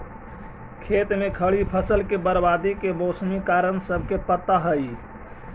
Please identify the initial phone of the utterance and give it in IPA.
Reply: kʰ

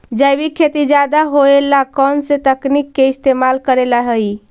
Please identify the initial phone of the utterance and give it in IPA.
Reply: d͡ʒ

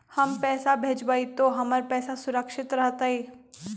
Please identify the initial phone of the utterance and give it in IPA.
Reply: h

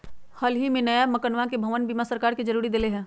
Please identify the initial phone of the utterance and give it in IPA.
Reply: h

